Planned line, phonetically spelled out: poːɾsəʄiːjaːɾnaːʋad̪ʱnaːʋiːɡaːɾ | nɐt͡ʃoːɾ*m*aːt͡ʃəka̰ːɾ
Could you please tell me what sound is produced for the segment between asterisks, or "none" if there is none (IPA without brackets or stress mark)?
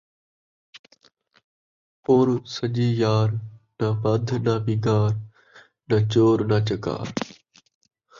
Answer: n